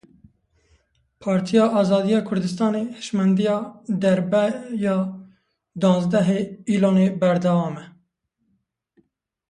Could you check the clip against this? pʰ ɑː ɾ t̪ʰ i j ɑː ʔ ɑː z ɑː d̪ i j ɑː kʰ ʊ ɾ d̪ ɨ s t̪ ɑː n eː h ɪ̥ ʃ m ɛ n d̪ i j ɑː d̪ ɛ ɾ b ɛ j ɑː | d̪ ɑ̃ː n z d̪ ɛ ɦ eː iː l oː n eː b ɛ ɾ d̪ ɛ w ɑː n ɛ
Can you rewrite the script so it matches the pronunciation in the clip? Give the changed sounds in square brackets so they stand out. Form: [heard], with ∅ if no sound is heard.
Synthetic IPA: pʰ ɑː ɾ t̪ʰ i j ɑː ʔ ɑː z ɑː d̪ i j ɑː kʰ ʊ ɾ d̪ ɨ s t̪ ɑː n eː h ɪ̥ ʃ m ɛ n d̪ i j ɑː d̪ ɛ ɾ b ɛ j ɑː | d̪ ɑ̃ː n z d̪ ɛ ɦ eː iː l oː n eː b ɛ ɾ d̪ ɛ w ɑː [m] ɛ